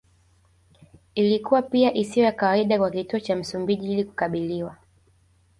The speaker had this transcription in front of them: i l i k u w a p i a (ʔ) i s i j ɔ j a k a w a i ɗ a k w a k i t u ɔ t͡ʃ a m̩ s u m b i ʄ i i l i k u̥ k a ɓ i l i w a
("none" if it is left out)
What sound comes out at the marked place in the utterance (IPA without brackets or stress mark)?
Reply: ʔ